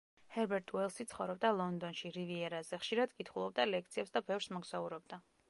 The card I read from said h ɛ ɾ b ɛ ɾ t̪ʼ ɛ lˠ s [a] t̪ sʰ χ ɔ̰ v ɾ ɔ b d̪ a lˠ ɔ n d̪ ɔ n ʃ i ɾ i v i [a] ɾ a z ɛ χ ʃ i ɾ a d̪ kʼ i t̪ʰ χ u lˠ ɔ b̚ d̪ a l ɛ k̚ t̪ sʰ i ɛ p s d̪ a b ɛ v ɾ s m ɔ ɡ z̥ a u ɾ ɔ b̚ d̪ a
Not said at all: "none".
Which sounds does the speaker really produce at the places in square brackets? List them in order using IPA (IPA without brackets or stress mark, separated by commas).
i, ɛ